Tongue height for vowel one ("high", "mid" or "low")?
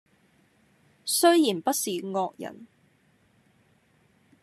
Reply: mid